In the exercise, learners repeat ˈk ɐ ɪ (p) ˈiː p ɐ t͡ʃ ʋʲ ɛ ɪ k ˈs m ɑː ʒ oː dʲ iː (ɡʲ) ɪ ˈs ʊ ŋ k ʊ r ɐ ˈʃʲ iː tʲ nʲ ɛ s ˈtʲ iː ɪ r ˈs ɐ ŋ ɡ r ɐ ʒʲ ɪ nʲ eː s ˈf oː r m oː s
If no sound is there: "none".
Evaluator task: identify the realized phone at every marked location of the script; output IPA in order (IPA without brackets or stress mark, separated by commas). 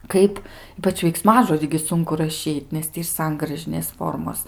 p, ɡʲ